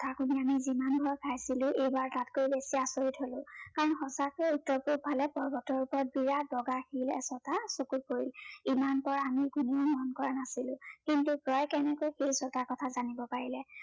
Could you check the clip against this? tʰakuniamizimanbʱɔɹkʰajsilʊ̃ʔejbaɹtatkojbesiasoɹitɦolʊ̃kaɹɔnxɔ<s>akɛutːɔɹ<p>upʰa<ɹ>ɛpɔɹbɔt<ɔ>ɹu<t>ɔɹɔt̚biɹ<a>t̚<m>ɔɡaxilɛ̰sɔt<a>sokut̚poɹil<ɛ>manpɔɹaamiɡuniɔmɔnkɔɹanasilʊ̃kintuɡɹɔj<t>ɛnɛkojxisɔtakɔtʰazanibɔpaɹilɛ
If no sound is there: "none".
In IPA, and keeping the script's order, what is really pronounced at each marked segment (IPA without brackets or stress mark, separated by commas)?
s, p, l, ɔ, p, a, b, a, i, k